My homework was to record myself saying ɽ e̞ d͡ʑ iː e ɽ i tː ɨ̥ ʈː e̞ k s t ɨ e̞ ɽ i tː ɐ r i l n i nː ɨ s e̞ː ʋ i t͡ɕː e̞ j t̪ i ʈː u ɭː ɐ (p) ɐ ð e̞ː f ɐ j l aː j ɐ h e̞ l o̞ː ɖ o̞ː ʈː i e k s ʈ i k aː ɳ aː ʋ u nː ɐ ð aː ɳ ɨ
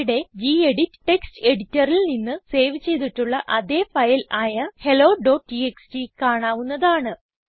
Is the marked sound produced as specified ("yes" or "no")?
no